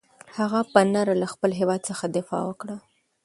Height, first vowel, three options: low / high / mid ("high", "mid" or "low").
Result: low